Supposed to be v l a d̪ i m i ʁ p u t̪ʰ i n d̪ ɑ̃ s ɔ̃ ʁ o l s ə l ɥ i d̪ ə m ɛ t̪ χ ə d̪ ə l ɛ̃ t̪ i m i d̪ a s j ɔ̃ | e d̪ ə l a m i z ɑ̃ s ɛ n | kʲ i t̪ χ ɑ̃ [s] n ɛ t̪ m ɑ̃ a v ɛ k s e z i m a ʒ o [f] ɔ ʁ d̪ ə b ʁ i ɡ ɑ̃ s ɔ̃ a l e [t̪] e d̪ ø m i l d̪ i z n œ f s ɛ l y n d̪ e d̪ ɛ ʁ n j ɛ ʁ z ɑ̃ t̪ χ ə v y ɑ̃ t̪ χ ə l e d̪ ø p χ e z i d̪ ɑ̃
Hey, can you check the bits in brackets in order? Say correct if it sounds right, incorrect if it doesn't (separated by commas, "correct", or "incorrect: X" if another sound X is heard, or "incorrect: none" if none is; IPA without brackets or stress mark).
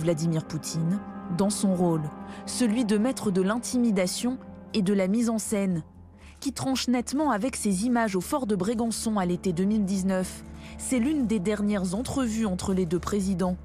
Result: incorrect: ʃ, correct, correct